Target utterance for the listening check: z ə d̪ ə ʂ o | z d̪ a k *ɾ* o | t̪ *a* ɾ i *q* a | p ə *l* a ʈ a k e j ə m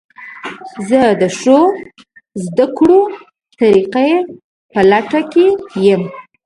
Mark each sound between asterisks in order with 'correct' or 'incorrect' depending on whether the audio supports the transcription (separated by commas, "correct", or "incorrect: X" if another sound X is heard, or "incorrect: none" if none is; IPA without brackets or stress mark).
incorrect: ɽ, correct, correct, correct